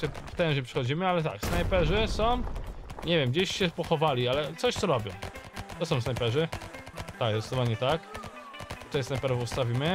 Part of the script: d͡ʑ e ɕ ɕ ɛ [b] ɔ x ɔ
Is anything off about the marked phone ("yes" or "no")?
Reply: yes